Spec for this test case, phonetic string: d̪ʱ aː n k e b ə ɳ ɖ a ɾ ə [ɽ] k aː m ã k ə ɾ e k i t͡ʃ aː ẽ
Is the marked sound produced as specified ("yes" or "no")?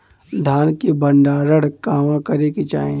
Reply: yes